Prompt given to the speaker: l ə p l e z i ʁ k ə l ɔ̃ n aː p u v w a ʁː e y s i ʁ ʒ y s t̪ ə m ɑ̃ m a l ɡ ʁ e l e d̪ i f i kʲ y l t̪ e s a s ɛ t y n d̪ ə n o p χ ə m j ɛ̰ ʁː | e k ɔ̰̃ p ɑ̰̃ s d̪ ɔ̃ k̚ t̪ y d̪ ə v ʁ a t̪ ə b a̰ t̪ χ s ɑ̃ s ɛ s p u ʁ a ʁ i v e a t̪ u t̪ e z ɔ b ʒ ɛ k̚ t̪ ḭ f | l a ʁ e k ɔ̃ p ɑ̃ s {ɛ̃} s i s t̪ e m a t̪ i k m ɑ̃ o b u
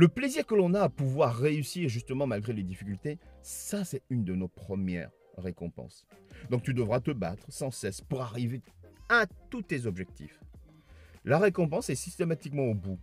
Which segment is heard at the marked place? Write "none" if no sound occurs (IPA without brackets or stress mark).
ɛ